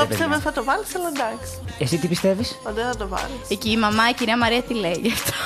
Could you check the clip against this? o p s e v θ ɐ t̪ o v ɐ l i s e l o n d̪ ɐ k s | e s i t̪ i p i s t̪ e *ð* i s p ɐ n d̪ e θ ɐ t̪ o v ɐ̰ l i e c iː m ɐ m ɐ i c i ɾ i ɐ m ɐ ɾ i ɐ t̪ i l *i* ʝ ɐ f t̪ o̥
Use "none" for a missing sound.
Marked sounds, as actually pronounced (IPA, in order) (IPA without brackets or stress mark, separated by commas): v, e